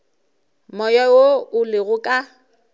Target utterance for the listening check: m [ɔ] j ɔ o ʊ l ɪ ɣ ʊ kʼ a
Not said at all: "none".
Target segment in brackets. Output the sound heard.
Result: ɔ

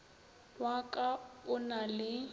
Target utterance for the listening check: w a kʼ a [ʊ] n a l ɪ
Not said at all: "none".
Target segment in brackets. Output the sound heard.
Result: ʊ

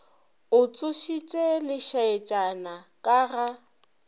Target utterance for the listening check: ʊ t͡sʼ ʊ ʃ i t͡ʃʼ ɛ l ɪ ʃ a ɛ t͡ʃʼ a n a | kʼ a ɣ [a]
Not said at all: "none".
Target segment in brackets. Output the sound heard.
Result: a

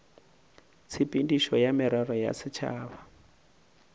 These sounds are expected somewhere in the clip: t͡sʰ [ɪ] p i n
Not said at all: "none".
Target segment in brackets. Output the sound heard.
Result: i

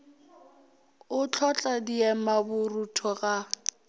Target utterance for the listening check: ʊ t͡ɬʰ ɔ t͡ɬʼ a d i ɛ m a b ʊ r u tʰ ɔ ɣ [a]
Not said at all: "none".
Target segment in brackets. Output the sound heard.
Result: a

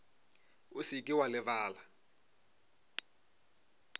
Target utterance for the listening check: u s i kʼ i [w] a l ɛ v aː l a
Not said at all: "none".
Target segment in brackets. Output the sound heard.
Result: w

